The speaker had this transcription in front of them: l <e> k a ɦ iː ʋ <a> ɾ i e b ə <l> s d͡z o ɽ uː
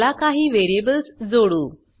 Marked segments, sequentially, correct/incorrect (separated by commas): incorrect, incorrect, correct